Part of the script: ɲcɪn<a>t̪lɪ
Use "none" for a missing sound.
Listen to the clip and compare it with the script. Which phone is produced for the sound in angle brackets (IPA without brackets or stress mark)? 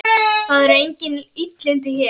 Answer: i